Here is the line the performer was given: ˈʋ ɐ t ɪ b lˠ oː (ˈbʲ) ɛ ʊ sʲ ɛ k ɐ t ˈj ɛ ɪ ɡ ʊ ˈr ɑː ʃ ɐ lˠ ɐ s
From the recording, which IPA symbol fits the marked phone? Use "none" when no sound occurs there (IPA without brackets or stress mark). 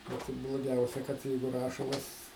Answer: ɡʲ